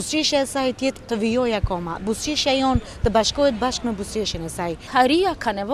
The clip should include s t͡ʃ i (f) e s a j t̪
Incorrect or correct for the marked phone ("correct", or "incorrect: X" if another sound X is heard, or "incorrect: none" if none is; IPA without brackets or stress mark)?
incorrect: ʃ